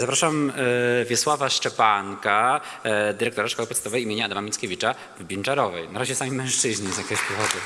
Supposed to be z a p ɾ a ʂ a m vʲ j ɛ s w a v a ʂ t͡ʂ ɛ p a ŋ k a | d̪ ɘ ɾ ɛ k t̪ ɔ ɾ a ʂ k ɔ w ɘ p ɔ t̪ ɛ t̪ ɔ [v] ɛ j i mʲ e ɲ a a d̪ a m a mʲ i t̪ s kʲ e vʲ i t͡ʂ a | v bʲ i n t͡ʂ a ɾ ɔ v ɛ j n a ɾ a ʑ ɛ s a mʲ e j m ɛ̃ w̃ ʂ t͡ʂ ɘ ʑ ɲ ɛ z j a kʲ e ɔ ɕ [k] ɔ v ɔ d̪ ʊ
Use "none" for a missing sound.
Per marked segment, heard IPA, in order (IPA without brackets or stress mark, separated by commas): v, p